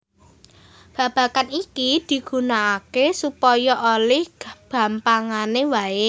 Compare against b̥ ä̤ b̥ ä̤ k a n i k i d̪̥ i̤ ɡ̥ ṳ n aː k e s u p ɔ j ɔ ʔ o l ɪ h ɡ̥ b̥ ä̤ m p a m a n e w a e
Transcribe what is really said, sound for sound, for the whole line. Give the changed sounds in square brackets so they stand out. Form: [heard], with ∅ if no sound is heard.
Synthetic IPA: b̥ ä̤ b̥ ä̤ k a n i k i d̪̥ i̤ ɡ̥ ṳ n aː k e s u p ɔ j ɔ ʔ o l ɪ h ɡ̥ b̥ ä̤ m p a [ŋ] a n e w a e

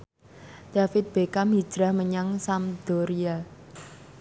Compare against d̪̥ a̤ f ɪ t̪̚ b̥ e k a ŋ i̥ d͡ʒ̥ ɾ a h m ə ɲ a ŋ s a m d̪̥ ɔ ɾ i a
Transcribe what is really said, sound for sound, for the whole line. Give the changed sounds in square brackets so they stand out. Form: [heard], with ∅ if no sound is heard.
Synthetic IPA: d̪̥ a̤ f ɪ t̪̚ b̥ e k a [m] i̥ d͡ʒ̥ ɾ a h m ə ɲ a ŋ s a m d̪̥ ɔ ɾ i a

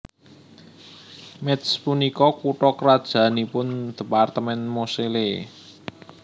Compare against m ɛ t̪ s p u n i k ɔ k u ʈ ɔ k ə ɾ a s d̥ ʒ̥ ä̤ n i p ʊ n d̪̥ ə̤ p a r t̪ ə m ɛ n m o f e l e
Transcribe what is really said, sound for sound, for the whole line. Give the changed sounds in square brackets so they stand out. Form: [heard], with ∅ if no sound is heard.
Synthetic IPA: m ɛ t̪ s p u n i k ɔ k u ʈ ɔ k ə ɾ a [∅] d̥ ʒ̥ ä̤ n i p ʊ n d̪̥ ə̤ p a r t̪ ə m ɛ n m o [s] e l e

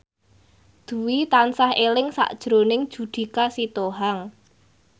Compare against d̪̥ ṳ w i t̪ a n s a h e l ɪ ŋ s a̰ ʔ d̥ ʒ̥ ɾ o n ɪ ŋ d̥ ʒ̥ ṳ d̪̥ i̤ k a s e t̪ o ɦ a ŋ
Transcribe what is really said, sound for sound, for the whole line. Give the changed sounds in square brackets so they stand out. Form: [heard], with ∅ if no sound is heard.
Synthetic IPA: d̪̥ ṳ w i t̪ a n s a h e l ɪ ŋ s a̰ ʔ d̥ ʒ̥ ɾ o n ɪ ŋ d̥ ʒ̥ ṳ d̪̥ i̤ k a s [i] t̪ o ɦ a ŋ

